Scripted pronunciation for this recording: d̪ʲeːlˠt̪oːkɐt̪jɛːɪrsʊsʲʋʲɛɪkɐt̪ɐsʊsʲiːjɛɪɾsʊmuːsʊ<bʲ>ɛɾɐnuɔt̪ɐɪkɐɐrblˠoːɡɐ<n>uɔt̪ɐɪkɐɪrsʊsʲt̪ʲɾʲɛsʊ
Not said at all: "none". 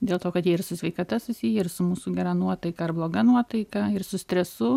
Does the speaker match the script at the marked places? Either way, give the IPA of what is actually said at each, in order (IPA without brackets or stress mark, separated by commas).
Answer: ɡʲ, n